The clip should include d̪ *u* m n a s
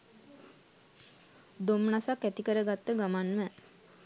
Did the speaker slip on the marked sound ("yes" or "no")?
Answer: yes